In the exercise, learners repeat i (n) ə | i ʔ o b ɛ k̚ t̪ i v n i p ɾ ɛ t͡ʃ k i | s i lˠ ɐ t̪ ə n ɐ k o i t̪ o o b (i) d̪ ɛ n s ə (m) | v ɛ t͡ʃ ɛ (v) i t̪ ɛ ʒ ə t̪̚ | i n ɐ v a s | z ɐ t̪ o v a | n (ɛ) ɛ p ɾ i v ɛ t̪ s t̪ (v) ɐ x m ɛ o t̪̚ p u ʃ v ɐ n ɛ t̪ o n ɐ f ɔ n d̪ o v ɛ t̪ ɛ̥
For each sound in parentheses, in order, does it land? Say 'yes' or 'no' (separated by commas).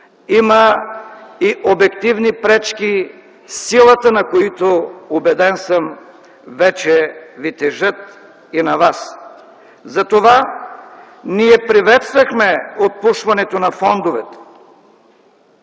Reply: no, no, yes, yes, no, yes